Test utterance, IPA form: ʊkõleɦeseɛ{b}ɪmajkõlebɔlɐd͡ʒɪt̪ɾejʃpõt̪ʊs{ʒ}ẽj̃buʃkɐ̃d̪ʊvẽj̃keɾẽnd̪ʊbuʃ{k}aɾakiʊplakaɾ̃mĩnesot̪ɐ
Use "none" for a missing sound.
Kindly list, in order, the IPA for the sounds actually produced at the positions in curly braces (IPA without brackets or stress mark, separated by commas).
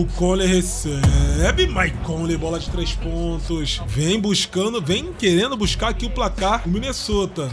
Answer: b, v, k